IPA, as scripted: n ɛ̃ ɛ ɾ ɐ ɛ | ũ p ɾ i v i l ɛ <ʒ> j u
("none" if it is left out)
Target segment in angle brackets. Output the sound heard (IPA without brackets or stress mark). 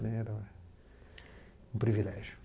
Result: ʒ